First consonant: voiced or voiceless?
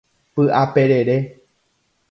voiceless